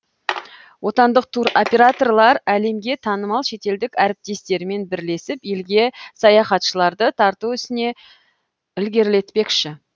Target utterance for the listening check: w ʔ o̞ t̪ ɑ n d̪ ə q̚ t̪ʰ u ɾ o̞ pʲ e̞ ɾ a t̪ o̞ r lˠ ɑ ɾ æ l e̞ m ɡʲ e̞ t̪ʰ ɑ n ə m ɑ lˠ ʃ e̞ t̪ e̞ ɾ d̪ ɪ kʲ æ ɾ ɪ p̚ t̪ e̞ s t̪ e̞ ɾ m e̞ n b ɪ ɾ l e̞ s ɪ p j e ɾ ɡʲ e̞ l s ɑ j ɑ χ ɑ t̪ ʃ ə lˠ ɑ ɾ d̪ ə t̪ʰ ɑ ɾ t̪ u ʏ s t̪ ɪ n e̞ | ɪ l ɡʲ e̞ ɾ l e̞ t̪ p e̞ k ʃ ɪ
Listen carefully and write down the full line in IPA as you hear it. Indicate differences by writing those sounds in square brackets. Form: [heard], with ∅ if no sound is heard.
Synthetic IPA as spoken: w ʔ o̞ t̪ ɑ n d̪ ə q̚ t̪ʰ u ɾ o̞ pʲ e̞ ɾ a t̪ o̞ r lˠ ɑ ɾ æ l e̞ m ɡʲ e̞ t̪ʰ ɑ n ə m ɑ lˠ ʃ e̞ t̪ e̞ [l] d̪ ɪ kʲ æ ɾ ɪ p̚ t̪ e̞ s t̪ e̞ ɾ m e̞ n b ɪ ɾ l e̞ s ɪ p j e [l] ɡʲ e̞ [∅] s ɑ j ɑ χ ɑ t̪ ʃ ə lˠ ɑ ɾ d̪ ə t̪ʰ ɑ ɾ t̪ u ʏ s t̪ ɪ n e̞ | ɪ l ɡʲ e̞ ɾ l e̞ t̪ p e̞ k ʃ ɪ